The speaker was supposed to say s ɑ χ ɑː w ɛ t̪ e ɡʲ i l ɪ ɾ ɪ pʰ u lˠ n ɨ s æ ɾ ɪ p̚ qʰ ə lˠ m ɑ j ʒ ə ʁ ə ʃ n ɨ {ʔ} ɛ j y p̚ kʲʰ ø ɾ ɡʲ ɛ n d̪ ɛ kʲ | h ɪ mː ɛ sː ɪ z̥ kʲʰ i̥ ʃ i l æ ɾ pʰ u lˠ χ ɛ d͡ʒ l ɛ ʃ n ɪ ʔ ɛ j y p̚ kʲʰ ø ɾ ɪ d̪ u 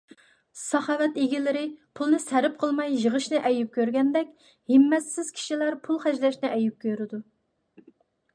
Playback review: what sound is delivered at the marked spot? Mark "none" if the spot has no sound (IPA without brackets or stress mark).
ʔ